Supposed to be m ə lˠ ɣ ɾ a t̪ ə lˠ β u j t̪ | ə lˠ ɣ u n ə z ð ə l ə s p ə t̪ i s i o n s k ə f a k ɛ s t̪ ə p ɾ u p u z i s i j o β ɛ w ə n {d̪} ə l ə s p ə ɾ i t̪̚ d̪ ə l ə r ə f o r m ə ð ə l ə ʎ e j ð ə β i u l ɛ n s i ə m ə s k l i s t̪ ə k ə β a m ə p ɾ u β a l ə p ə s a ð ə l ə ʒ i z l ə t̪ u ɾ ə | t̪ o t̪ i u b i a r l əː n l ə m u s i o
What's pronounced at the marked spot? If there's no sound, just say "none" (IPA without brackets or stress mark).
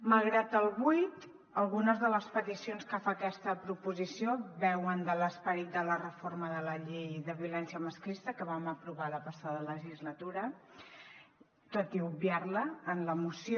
d̪